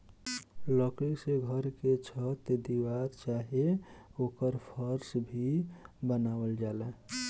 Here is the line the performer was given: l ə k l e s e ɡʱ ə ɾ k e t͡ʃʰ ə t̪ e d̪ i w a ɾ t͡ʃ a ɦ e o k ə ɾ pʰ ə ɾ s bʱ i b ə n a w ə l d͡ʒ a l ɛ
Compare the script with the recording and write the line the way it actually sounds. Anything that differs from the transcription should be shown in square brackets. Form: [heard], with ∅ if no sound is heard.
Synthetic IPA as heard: l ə k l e s e ɡʱ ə ɾ k e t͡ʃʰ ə t̪ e d̪ i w a ɾ t͡ʃ a ɦ e o k ə ɾ pʰ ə ɾ s bʱ i b ə n a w ə l d͡ʒ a l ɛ